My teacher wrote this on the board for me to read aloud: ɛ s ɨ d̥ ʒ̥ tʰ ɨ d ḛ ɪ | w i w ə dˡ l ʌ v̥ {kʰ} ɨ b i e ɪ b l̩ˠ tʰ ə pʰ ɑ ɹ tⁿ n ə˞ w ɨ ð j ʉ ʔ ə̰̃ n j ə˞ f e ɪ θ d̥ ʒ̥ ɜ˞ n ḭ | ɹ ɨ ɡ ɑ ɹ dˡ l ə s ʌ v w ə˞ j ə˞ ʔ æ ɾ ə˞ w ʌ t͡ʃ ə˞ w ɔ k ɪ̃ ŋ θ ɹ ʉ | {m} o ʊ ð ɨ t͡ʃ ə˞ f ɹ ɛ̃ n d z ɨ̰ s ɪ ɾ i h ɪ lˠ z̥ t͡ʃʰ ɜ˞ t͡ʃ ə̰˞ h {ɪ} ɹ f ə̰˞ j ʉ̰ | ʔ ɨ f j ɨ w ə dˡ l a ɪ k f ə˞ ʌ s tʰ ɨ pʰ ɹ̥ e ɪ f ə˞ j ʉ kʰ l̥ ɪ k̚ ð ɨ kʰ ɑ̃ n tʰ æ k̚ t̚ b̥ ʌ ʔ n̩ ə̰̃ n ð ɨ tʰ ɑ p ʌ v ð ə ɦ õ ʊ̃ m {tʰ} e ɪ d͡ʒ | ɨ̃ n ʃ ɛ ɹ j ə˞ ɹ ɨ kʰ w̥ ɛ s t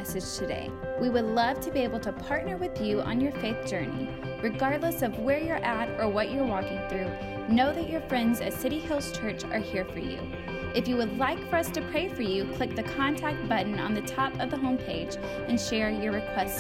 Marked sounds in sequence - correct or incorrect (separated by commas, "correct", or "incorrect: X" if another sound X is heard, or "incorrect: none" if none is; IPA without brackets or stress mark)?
incorrect: tʰ, incorrect: n, incorrect: i, incorrect: pʰ